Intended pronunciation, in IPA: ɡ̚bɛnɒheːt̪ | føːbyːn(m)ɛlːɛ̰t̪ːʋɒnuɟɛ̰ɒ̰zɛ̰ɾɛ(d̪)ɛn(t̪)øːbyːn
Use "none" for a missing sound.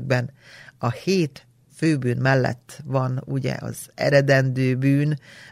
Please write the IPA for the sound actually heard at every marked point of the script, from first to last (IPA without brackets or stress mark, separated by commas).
m, d̪, d̪